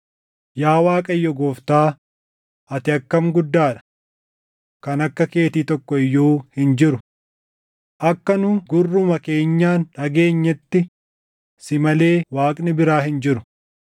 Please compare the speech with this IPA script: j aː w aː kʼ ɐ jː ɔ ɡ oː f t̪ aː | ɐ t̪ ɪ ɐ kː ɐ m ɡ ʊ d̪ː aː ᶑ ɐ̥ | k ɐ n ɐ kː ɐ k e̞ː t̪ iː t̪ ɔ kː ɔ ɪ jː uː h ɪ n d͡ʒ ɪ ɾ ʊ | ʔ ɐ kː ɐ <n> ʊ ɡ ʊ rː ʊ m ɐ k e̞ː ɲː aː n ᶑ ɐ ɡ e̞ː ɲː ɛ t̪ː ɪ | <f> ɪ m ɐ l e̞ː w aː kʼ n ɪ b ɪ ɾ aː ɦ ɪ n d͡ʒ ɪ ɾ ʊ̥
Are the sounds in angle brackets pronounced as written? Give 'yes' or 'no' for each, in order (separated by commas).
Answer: yes, no